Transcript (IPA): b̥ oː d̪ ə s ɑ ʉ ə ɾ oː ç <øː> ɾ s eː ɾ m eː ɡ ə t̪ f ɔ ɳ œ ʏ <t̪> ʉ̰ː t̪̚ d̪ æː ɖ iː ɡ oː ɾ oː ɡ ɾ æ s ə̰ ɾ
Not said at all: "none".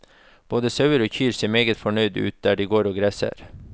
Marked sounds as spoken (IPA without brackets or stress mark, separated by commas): yː, d̪